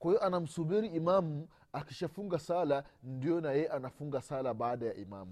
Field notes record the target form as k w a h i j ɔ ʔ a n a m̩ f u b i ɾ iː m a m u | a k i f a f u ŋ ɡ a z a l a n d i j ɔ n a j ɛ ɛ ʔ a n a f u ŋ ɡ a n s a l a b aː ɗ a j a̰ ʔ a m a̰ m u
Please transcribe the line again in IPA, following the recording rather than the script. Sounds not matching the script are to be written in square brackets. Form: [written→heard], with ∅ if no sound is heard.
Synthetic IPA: k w a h i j ɔ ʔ a n a m̩ [f→s] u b i ɾ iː m a m u | a k i [f→ʃ] a f u ŋ ɡ a [z→s] a l a n d i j ɔ n a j ɛ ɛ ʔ a n a f u ŋ ɡ a [n→∅] s a l a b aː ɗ a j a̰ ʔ [a→i] m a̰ m u